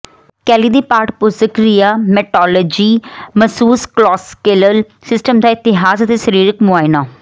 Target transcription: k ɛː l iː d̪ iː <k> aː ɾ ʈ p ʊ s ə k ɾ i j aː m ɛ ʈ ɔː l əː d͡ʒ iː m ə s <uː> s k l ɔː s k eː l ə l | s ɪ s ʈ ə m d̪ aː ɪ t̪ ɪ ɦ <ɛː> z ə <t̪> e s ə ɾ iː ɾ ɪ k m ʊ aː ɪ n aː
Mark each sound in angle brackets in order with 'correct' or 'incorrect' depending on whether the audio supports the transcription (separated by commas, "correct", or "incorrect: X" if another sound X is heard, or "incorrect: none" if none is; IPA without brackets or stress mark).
incorrect: p, correct, incorrect: aː, correct